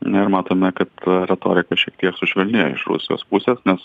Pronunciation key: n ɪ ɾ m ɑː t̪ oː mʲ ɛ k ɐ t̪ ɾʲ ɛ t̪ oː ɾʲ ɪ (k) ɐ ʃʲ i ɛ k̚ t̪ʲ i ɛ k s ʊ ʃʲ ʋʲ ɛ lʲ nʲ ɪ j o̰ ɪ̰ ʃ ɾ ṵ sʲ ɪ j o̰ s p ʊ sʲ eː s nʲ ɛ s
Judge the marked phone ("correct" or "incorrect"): correct